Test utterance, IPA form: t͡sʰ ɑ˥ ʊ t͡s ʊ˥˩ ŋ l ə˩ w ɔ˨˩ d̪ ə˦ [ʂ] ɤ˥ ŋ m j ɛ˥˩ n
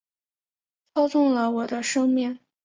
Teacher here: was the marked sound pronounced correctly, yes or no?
yes